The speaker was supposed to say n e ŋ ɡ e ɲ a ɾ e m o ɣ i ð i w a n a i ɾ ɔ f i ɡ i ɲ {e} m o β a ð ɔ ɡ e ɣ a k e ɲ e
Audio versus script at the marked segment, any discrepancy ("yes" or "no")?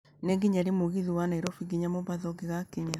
yes